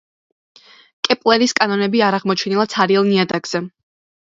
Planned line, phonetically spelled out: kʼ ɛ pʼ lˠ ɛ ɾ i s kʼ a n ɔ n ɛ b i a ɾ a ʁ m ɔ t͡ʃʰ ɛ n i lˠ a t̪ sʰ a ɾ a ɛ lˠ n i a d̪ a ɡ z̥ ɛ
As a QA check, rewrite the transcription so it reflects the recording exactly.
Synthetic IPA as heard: kʼ ɛ pʼ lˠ ɛ ɾ i s kʼ a n ɔ n ɛ b i a ɾ a ʁ m ɔ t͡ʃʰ ɛ n i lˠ a t̪ sʰ a ɾ i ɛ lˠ n i a d̪ a ɡ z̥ ɛ